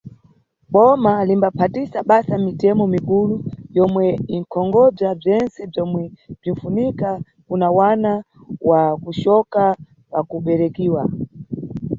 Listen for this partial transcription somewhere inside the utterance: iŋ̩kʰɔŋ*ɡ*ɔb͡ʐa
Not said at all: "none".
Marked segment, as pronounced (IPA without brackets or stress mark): ɡ